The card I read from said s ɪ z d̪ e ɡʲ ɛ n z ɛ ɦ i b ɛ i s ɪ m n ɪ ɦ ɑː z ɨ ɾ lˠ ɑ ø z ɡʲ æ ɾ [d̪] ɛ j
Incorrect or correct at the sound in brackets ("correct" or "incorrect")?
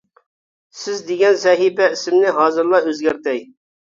incorrect